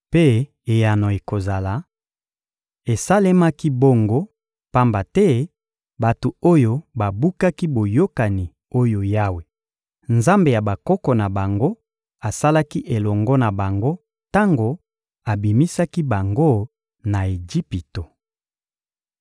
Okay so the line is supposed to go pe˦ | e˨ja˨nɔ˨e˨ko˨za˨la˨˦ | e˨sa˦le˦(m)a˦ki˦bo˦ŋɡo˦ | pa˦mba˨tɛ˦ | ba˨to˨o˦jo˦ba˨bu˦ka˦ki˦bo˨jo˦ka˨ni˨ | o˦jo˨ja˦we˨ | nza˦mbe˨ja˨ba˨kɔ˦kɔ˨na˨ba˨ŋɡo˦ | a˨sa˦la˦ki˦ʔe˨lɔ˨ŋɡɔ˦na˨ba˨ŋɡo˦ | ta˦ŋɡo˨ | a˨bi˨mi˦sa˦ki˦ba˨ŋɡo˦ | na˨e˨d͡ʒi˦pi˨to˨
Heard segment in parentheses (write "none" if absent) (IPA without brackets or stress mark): m